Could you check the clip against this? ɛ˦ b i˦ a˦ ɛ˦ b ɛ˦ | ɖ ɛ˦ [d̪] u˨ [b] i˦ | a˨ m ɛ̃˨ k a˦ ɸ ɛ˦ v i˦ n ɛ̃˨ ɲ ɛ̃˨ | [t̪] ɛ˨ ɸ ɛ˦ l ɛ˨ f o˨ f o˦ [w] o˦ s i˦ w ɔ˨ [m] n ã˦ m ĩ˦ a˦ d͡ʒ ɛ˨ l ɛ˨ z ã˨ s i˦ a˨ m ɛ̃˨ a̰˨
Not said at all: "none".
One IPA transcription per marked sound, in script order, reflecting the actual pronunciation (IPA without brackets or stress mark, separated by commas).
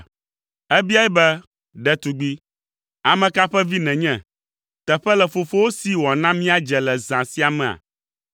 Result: t̪, ɡ͡b, t̪, w, none